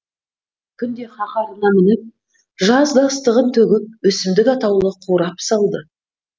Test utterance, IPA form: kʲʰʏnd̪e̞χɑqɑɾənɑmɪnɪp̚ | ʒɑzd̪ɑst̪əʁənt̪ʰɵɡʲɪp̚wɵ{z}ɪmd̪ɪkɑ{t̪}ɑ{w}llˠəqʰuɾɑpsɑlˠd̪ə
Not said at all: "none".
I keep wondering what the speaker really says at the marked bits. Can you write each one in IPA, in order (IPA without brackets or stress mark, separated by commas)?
s, t̪, w